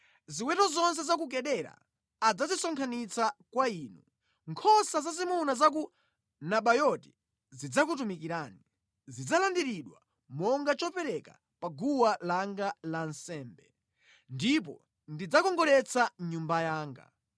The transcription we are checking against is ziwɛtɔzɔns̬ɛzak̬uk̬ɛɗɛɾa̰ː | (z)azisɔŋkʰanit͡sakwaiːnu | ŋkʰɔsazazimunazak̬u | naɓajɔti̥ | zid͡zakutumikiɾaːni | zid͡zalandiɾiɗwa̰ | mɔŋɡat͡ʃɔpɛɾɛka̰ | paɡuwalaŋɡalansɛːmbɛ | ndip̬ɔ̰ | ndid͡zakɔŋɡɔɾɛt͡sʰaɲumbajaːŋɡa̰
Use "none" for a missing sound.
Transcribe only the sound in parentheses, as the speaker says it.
d͡z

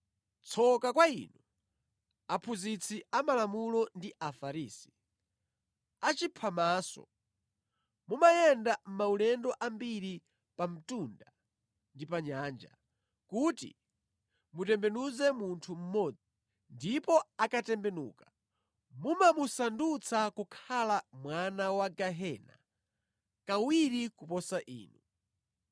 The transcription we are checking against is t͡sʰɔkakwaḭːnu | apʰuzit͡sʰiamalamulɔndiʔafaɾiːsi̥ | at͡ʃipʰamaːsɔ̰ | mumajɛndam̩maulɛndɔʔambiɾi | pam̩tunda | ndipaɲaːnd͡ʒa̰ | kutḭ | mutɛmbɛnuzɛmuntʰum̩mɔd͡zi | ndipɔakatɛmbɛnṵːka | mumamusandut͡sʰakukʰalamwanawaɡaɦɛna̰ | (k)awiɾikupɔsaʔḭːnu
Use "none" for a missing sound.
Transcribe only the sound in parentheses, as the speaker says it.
k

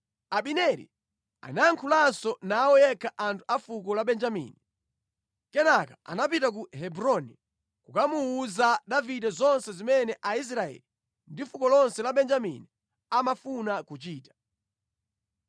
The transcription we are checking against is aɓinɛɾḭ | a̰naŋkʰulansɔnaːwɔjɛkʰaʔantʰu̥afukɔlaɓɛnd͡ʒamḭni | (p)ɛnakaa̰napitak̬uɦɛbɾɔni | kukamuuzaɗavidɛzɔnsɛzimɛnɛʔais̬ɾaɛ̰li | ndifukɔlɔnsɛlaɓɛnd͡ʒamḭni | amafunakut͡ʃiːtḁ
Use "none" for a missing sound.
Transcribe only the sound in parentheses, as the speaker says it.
k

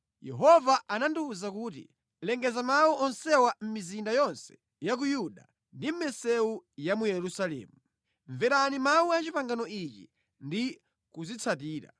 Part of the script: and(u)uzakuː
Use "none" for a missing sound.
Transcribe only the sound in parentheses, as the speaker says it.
u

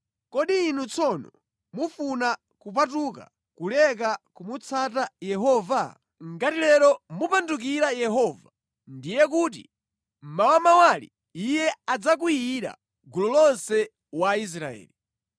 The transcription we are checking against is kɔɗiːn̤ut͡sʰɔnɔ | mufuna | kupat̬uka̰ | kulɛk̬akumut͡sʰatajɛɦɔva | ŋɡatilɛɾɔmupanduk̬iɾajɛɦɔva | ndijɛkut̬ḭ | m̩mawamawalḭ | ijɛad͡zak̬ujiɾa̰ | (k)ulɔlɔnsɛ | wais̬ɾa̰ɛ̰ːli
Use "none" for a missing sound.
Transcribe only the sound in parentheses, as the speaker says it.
ɡ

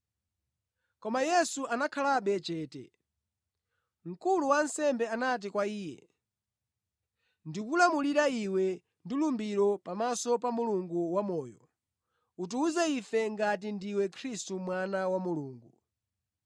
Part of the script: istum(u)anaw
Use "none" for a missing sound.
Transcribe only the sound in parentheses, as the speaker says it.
w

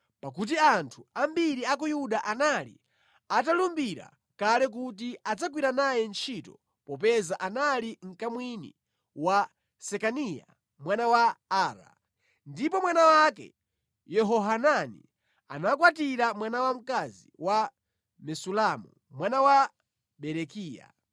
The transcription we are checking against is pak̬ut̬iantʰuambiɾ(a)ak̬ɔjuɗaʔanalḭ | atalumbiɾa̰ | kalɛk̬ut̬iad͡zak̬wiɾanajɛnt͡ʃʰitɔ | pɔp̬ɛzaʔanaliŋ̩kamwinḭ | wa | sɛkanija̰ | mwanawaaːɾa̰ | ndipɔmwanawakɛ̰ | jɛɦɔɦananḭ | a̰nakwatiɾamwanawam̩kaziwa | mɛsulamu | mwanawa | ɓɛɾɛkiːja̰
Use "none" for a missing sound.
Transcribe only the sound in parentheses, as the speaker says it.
i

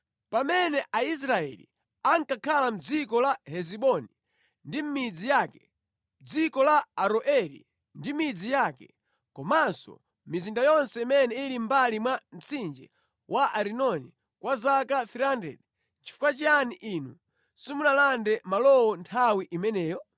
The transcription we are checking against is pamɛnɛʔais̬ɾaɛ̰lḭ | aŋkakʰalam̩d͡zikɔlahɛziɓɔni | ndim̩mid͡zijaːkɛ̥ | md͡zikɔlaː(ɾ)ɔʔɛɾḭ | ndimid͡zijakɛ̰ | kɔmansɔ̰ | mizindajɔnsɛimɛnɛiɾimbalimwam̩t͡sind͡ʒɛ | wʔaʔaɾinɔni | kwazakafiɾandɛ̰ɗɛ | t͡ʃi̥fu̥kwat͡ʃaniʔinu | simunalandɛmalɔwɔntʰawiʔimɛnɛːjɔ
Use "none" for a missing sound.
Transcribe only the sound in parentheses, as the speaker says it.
ɾ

